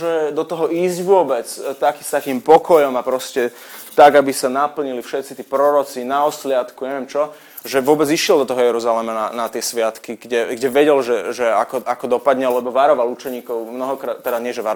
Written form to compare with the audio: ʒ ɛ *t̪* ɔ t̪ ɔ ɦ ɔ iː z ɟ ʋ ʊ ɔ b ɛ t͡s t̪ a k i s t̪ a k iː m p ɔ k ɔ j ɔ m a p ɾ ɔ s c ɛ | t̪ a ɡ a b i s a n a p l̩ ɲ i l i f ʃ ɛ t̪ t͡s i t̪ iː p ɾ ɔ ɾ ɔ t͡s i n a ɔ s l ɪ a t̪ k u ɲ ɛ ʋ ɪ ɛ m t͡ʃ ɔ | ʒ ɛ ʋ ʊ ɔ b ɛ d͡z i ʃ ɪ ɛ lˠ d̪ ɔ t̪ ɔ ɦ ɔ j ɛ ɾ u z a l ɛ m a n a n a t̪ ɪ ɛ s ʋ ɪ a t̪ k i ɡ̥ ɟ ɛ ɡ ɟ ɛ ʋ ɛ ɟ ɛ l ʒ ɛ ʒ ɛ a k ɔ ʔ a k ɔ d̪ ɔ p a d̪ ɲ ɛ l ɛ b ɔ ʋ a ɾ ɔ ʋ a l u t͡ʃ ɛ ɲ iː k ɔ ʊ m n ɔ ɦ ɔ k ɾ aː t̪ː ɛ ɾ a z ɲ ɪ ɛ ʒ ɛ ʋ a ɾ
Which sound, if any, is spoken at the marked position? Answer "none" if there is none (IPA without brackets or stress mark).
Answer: d̪